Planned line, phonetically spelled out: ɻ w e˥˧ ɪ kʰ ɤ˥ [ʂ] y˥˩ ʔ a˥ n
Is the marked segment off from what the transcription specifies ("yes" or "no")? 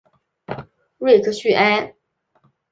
yes